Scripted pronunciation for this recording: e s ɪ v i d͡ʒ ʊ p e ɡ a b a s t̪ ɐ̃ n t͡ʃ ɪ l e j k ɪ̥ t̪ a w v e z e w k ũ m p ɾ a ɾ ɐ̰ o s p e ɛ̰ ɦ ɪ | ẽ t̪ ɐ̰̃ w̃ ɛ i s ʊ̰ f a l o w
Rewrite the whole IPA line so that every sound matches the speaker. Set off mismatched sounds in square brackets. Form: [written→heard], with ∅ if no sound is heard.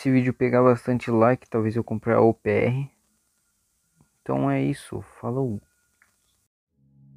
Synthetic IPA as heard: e s ɪ v i d͡ʒ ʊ p e ɡ a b a s t̪ ɐ̃ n t͡ʃ ɪ l [e→a] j k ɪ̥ t̪ a w v e z e w k [ũ→õ] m p ɾ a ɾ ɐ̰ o [s→∅] p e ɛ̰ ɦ ɪ | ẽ t̪ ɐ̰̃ w̃ ɛ i s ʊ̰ f a l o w